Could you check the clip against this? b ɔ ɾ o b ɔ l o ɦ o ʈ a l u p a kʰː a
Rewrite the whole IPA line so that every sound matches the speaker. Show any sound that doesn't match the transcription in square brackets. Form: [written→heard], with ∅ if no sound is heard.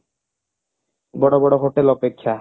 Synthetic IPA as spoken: b ɔ [ɾ→ɽ] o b ɔ [l→ɽ] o ɦ o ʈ [a→e] l [u→ɔ] p [a→e] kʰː a

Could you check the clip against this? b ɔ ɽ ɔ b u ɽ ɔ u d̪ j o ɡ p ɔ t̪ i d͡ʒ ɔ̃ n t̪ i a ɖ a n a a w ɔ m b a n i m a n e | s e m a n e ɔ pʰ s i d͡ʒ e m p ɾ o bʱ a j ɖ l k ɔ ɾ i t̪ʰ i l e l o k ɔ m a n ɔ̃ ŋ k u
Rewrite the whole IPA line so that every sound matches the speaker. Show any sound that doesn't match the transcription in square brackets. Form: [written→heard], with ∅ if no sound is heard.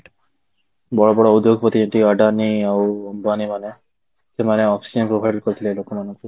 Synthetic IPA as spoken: b ɔ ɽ ɔ b [u→ɔ] ɽ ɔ u d̪ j o ɡ p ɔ t̪ i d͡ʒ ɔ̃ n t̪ i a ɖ a n [a→i] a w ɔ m b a n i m a n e | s e m a n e ɔ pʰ s i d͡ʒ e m p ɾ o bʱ a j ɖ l k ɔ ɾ i t̪ʰ i l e l o k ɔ m a n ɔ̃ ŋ k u

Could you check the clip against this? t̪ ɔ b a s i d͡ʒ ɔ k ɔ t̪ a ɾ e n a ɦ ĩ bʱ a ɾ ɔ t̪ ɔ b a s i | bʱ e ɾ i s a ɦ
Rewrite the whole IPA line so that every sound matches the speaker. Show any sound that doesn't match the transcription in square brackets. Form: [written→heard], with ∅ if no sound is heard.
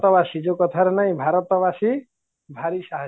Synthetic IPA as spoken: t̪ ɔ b a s i d͡ʒ [ɔ→o] k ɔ [t̪→t̪ʰ] a ɾ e n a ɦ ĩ bʱ a ɾ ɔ t̪ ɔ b a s i | bʱ [e→a] ɾ i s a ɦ

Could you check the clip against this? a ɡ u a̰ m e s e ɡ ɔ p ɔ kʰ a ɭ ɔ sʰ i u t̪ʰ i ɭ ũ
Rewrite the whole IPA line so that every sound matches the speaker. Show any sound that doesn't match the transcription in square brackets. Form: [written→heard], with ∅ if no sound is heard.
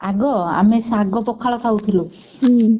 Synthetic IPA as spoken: a ɡ [u→ɔ] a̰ m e s [e→a] ɡ ɔ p ɔ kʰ a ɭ ɔ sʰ [i→a] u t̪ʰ i [ɭ→l] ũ

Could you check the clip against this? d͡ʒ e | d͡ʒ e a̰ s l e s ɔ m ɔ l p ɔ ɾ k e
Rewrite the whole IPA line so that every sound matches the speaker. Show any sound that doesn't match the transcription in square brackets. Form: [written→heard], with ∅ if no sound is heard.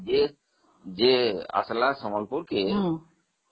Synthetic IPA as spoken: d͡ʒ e | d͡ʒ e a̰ s l [e→a] s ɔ m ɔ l p [ɔ→u] ɾ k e

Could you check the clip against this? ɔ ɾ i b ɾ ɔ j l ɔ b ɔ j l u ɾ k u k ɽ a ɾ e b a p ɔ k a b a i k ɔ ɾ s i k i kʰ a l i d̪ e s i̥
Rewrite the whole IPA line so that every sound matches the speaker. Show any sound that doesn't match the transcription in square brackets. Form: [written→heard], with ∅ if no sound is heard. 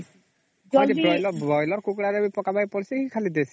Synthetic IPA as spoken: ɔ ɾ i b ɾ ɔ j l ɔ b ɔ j l [u→ɔ] ɾ k u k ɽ a ɾ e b [a→i] p ɔ k a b a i [k→p] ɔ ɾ s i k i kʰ a l i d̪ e s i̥

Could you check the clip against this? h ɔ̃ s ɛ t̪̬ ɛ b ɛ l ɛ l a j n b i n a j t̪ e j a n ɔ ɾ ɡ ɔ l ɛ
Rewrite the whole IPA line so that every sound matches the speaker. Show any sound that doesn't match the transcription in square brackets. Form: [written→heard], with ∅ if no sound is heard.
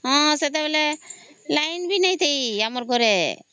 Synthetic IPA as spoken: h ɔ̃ s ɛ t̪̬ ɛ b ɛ l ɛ l a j n b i n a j t̪ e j a [n→m] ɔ ɾ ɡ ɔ [l→ɾ] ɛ

